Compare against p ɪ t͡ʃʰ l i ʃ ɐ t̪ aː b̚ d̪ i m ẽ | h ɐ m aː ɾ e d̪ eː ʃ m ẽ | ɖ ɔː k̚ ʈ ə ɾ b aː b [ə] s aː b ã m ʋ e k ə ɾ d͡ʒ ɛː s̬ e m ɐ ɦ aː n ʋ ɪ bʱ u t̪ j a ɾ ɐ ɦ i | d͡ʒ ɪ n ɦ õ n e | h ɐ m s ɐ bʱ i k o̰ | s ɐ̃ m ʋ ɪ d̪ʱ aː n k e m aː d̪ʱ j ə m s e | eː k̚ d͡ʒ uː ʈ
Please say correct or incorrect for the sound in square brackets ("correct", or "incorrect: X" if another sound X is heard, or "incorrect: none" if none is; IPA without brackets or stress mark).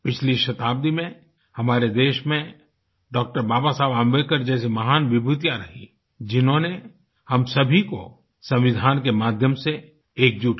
incorrect: a